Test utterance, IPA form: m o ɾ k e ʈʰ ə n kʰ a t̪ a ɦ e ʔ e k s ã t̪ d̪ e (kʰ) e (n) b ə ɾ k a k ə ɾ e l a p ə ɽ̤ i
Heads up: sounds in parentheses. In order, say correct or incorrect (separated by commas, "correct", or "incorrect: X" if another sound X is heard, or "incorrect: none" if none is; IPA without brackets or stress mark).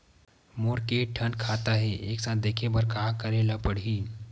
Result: correct, incorrect: none